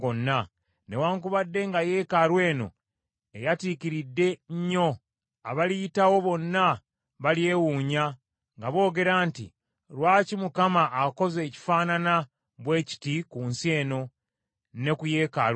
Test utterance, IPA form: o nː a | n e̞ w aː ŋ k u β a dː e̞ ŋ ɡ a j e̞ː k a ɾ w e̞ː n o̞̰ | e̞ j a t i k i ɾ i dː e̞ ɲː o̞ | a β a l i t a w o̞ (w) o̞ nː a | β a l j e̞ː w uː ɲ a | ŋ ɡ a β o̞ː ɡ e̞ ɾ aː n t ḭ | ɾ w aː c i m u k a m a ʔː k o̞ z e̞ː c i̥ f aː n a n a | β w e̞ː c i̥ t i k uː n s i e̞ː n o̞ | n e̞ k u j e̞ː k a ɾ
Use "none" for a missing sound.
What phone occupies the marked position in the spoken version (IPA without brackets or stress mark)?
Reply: β